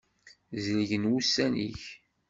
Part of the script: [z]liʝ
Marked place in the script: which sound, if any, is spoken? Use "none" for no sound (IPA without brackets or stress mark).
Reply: z